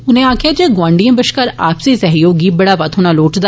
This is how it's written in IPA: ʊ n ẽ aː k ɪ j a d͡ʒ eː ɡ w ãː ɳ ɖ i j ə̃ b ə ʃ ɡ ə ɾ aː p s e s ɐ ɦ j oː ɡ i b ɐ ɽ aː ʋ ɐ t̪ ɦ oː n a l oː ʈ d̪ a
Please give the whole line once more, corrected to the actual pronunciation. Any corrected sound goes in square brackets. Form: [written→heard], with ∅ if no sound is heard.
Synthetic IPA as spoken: ʊ n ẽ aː k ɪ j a d͡ʒ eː ɡ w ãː ɳ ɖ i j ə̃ b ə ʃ [ɡ→k] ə ɾ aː p s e s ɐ ɦ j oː ɡ i b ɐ ɽ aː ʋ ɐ t̪ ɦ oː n a l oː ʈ d̪ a